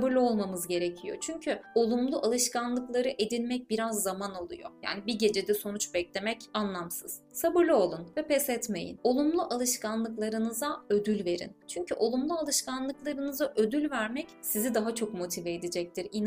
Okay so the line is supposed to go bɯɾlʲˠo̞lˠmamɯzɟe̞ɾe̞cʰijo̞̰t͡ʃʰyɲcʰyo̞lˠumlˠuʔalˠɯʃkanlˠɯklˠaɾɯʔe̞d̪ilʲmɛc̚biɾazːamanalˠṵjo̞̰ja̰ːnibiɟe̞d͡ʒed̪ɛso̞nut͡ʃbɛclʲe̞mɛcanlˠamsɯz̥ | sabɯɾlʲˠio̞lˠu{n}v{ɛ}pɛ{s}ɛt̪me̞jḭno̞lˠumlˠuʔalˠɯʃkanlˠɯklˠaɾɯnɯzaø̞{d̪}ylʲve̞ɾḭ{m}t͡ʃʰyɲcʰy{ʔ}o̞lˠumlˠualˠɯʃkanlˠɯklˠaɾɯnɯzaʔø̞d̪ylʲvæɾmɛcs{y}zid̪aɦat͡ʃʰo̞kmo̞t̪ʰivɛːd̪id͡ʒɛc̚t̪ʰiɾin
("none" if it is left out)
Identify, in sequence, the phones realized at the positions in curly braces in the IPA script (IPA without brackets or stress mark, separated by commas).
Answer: n, ɛ, s, d̪, n, ʔ, i